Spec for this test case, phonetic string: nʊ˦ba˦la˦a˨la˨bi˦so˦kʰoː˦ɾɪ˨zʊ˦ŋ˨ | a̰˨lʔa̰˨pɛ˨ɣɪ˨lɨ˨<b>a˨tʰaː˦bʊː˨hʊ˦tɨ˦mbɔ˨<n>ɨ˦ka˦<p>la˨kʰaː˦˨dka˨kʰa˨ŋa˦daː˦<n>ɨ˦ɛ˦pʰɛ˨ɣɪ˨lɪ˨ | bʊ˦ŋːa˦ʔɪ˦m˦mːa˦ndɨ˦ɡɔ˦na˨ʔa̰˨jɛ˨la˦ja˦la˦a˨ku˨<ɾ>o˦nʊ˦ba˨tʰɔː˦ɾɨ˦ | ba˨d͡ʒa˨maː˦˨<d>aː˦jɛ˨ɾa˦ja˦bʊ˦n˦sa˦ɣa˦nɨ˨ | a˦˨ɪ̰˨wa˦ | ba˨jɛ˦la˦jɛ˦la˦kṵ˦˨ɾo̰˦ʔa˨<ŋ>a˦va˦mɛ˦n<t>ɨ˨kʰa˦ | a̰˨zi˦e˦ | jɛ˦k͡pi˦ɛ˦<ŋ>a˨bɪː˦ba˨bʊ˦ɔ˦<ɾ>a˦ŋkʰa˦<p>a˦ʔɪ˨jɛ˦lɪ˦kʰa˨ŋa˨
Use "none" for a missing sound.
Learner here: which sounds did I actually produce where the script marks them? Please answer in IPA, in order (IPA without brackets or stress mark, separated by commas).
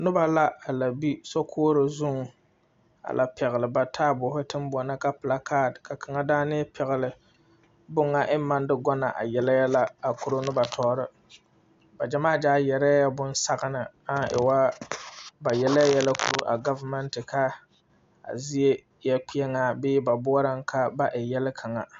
b, n, p, n, ɾ, d͡ʒ, ɡ, t, ŋ, ɾ, b